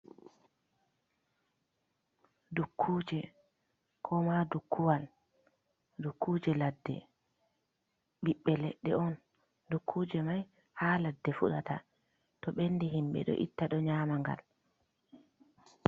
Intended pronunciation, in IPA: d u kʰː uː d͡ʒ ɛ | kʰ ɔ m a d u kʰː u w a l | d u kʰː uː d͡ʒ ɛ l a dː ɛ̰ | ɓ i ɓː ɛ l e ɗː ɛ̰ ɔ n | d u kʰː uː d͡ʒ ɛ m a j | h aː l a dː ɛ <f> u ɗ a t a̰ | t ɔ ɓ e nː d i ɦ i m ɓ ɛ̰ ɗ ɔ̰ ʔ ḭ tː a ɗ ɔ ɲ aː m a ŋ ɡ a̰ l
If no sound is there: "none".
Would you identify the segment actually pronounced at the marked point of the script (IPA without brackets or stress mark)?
f